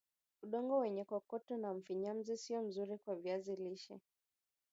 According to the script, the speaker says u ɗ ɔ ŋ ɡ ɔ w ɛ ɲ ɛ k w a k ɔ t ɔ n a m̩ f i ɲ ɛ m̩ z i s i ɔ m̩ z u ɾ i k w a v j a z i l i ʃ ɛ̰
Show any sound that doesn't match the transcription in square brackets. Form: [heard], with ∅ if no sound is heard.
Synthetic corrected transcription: u ɗ ɔ ŋ ɡ ɔ w ɛ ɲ ɛ k w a k ɔ t ɔ n a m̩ f i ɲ [a] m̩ z i s i ɔ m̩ z u ɾ i k w a v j a z i l i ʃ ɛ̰

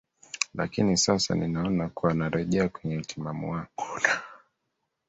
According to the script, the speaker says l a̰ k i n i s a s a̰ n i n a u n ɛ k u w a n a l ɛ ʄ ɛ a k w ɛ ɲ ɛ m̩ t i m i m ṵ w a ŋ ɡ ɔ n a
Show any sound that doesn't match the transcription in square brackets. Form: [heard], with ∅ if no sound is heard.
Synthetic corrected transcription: l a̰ k i n i s a s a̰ n i n a [ɔ] n [a] k u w a n a [ɾ] ɛ ʄ ɛ a k w ɛ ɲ ɛ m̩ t i m [a] m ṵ w a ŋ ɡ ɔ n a

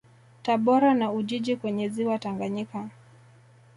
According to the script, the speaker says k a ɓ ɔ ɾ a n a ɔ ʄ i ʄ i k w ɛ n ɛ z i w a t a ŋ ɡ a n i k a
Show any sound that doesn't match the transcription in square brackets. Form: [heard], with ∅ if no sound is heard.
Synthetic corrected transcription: [t] a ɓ ɔ ɾ a n a [u] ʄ i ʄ i k w ɛ [ɲ] ɛ z i w a t a ŋ ɡ a [ɲ] i k a

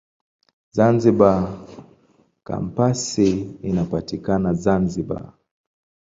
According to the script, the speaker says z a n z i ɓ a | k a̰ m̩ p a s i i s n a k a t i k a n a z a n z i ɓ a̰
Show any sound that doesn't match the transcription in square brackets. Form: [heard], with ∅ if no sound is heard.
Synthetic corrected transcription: z a n z i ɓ a | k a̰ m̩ p a s i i [∅] n a [p] a t i k a n a z a n z i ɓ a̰

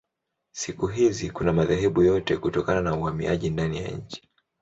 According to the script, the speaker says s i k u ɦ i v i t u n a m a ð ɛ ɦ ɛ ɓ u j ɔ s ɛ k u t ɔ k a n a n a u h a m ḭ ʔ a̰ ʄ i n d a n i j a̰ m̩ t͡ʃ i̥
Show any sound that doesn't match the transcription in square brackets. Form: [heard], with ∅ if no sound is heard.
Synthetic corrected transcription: s i k u ɦ i [z] i [k] u n a m a ð ɛ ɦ ɛ ɓ u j ɔ [t] ɛ k u t ɔ k a n a n a u h a m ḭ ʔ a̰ ʄ i n d a n i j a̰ [ɲ̩] t͡ʃ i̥

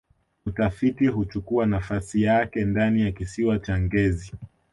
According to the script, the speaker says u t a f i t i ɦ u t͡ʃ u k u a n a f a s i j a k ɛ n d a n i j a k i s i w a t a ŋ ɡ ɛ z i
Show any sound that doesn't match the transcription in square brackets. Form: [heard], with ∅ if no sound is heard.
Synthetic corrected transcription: u t a f i t i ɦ u t͡ʃ u k u a n a f a s i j a k ɛ n d a n i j a k i s i w a [t͡ʃ] a ŋ ɡ ɛ z i

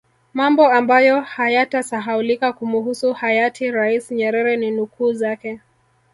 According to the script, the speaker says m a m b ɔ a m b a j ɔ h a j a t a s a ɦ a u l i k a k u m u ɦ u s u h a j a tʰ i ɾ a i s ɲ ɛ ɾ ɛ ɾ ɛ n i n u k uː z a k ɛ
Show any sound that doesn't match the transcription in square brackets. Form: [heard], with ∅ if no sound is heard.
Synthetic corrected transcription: m a m b ɔ a m b a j ɔ h a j a t a s a ɦ a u l i k a k u m u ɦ u s u h a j a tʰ i ɾ a i s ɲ ɛ ɾ ɛ ɾ ɛ n i n u k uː z a k ɛ

